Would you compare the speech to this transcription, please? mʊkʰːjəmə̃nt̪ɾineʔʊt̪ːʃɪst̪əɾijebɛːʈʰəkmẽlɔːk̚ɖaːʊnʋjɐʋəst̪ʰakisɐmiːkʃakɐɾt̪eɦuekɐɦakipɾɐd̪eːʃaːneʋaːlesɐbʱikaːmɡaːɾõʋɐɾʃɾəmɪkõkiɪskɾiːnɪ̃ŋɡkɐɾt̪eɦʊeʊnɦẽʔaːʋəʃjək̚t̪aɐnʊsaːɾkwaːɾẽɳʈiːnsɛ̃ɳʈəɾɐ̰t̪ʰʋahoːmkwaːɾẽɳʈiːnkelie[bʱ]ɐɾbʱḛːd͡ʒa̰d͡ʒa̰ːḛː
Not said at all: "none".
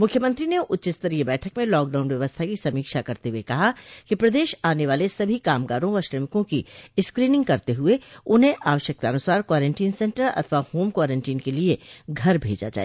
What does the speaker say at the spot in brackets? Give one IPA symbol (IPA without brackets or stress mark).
ɡʱ